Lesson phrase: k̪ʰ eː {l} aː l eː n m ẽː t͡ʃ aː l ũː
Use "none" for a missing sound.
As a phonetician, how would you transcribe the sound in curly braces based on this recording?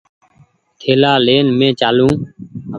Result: l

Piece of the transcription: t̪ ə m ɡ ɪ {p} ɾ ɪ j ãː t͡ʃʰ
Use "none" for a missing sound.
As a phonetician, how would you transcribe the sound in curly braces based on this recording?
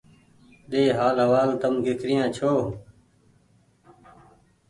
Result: k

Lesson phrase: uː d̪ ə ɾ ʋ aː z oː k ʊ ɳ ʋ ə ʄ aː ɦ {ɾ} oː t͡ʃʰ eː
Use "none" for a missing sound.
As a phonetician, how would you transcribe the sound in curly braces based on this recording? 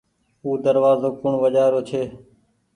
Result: ɾ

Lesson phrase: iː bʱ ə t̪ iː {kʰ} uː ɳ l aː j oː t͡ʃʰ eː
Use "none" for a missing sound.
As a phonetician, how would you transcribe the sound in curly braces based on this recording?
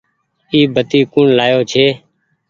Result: k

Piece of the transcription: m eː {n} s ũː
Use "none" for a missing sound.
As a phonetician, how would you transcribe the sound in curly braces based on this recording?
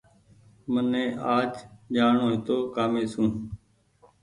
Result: none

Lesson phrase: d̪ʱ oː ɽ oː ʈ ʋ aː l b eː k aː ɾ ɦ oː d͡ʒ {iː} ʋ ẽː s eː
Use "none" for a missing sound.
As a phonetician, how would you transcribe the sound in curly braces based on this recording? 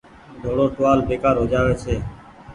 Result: aː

